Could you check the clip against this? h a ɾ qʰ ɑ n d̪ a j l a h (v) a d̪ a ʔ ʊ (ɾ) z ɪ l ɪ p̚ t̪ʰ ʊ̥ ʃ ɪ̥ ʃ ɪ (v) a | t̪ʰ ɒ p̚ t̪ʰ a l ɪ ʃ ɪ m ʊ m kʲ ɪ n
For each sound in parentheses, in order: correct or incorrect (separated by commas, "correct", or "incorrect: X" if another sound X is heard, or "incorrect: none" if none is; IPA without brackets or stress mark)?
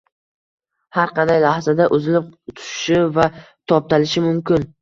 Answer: incorrect: z, incorrect: none, correct